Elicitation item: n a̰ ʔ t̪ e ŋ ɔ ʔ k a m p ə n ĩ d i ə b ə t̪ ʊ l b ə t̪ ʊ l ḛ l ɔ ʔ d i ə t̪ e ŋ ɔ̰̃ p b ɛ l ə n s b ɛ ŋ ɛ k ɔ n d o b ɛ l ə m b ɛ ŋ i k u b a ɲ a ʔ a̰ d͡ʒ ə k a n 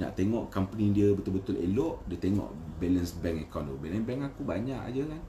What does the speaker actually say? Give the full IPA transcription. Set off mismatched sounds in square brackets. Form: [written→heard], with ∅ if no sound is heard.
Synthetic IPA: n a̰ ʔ t̪ e ŋ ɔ ʔ k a m p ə n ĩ d i ə b ə t̪ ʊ l b ə t̪ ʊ l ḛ l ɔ ʔ d i ə t̪ e ŋ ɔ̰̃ [p→ʔ] b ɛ l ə n s b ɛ ŋ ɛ k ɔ n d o b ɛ l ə [m→n] b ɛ ŋ [i→a] k u b a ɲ a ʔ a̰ d͡ʒ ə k a n